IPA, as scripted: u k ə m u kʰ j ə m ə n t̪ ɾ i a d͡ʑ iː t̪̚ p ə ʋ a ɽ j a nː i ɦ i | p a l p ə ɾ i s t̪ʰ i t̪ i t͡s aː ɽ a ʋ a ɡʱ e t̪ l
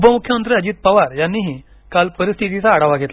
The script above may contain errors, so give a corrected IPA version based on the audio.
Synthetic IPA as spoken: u p ə m u kʰ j ə m ə n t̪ ɾ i ə d͡ʑ iː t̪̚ p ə ʋ a ɾ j a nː i ɦ i | k a l p ə ɾ i s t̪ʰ i t̪ i t͡s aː ɽ a ʋ a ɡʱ e t̪ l